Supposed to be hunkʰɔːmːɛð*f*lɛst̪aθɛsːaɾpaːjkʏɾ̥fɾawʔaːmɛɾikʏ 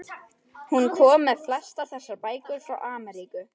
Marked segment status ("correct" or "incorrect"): correct